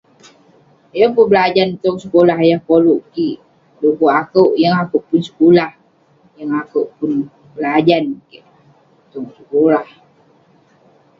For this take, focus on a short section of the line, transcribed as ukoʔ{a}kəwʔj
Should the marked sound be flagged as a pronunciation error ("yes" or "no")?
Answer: no